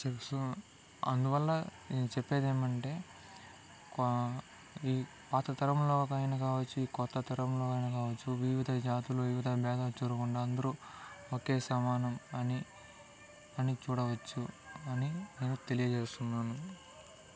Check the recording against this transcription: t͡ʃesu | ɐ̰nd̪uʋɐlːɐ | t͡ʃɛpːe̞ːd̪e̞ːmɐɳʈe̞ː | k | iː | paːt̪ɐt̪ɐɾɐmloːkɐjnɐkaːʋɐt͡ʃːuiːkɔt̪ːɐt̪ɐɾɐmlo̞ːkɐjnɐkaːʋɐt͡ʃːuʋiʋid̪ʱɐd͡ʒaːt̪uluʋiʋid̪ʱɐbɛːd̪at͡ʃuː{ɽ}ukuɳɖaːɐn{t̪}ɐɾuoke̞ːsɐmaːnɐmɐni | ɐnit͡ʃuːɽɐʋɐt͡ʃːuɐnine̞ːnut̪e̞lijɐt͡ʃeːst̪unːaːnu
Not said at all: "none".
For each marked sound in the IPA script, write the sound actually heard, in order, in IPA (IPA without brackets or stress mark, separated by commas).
ɾ, d̪